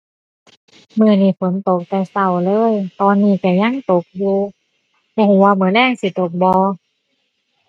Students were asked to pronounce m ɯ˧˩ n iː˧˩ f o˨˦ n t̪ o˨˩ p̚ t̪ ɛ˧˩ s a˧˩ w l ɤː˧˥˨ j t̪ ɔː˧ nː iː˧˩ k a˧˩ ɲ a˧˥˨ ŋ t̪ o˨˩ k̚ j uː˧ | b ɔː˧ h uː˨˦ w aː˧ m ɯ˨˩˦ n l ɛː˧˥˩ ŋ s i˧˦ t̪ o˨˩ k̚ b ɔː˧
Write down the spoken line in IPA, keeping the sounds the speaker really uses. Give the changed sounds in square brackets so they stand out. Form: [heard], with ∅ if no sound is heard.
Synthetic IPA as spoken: m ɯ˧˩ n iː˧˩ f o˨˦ n t̪ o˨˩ [k̚] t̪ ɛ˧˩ s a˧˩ w l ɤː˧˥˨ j t̪ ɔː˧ nː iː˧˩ k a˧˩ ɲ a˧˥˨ ŋ t̪ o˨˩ k̚ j uː˧ | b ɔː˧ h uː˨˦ w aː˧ m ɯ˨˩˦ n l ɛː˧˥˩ ŋ s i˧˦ t̪ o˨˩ k̚ b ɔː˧

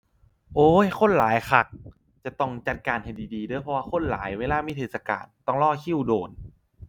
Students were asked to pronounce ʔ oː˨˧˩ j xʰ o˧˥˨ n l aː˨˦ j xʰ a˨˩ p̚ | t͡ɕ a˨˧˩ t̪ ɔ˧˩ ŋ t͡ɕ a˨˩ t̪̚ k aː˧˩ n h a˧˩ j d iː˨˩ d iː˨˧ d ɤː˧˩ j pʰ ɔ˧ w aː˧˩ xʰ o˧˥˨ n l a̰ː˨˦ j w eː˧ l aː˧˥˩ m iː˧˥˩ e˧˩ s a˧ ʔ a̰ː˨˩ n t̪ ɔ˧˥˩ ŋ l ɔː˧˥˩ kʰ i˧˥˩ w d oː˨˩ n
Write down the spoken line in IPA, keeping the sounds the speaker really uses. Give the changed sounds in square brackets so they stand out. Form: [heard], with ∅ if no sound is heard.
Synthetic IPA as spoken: ʔ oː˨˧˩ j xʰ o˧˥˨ n l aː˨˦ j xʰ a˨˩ [k̚] | t͡ɕ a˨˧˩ t̪ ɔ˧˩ ŋ t͡ɕ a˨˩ t̪̚ k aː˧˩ n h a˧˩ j d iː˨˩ d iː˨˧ d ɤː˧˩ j pʰ ɔ˧ w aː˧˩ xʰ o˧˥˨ n l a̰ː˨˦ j w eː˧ l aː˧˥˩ m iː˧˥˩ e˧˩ s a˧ [k] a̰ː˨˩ n t̪ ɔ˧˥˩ ŋ l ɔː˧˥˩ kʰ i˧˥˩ w d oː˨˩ n

